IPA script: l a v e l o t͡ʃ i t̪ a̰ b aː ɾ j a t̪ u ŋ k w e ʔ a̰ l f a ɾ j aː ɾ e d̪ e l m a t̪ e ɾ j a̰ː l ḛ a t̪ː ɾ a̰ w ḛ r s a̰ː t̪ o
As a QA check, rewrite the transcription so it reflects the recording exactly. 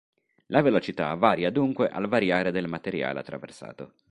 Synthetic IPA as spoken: l a v e l o t͡ʃ i t̪ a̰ v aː ɾ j a d̪ u ŋ k w e ʔ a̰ l v a ɾ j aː ɾ e d̪ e l m a t̪ e ɾ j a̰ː l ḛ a t̪ː ɾ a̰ v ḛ r s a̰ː t̪ o